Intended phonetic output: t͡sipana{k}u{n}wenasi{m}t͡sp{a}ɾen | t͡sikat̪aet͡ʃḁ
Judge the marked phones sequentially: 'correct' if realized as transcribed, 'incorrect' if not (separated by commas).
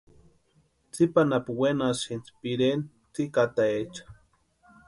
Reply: incorrect, incorrect, incorrect, incorrect